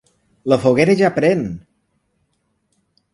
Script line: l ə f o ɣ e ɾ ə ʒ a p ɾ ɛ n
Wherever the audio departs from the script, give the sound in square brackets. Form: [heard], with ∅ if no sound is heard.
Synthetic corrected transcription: l ə f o ɣ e ɾ ə ʒ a p ɾ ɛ n